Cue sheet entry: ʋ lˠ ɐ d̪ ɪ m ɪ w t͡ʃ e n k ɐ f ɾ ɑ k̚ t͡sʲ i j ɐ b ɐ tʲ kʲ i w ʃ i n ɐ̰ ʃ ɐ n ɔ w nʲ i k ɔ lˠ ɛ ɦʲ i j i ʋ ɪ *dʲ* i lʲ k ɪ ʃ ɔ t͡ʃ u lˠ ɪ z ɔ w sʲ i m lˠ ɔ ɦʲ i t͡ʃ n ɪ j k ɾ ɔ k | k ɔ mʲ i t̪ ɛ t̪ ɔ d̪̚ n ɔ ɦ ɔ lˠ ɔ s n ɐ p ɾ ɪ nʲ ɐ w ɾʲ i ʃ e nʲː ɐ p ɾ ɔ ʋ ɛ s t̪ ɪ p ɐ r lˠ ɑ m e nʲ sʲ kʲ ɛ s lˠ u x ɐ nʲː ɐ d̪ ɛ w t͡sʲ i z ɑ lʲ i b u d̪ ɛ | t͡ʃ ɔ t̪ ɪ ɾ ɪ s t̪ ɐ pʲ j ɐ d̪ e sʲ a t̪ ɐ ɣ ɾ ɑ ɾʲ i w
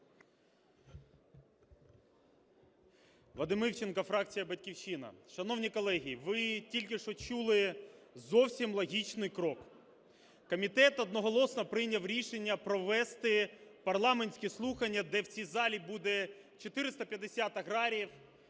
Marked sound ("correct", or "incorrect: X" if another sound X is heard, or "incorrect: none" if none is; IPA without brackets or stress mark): incorrect: tʲ